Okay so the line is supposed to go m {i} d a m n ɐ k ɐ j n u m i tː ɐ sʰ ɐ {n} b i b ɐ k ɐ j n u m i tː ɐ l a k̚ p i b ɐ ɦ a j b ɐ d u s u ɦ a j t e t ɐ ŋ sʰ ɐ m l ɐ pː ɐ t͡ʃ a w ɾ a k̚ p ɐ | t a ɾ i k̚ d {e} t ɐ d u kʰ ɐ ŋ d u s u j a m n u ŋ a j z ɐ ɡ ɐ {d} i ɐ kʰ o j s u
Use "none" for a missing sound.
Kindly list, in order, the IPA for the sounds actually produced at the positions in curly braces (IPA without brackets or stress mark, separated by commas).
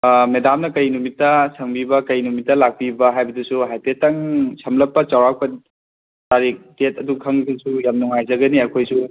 e, ŋ, e, n